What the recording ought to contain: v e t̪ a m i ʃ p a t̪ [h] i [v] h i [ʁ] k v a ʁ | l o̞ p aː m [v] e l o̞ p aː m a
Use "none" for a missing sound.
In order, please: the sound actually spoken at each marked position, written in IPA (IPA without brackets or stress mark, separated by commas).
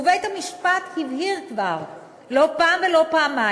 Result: h, v, ʁ, v